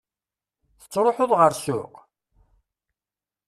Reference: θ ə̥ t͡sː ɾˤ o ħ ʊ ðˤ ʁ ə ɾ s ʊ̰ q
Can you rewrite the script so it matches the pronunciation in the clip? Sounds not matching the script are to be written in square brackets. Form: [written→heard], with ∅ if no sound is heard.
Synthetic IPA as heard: θ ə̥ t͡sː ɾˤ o ħ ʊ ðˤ ʁ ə ɾ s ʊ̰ q